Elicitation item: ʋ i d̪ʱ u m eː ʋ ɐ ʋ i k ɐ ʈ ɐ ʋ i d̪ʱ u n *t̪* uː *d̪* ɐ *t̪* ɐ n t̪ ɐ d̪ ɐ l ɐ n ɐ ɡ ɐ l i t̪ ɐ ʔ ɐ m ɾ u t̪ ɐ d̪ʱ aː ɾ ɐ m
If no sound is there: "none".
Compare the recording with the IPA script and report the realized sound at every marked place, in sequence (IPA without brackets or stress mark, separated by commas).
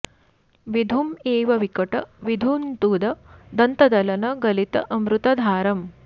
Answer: t̪, d̪, d̪